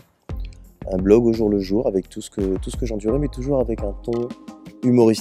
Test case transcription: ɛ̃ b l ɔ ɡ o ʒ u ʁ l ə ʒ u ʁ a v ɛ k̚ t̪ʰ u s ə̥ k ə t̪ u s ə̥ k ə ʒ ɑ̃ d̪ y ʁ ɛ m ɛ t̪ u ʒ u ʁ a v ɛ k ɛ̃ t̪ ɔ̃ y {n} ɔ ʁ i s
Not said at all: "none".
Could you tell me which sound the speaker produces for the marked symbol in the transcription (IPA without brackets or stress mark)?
m